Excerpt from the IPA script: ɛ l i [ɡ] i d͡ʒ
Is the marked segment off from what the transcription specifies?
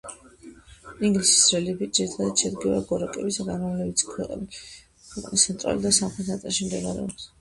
yes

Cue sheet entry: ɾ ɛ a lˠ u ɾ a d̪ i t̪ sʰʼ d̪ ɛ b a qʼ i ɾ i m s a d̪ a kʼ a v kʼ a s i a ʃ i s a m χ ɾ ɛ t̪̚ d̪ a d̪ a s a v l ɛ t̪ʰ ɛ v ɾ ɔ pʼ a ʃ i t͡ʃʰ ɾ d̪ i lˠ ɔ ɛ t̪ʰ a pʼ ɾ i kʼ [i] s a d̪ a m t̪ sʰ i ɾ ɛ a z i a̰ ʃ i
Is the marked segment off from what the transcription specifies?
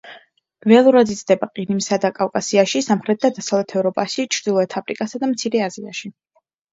yes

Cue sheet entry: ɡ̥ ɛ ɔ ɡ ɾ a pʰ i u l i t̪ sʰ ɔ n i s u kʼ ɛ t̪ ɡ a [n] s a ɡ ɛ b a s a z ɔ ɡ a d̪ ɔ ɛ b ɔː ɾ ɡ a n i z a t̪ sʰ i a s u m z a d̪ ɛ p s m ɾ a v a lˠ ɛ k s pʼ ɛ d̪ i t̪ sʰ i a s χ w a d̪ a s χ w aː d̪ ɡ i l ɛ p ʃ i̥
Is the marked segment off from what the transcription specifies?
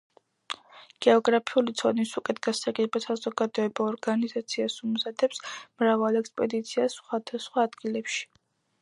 yes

